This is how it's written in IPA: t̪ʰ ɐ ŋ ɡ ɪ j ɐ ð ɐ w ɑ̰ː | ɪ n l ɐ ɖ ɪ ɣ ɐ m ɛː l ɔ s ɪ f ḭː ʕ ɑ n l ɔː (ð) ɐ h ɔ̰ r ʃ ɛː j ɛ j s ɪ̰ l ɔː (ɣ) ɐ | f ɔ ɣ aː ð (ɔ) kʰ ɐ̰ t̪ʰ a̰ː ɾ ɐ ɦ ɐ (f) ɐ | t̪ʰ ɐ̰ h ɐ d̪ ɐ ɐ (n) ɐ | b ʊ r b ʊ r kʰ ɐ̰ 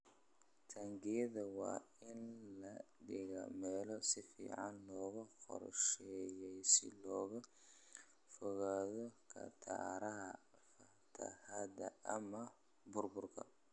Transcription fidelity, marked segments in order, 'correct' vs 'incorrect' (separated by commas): incorrect, correct, correct, correct, incorrect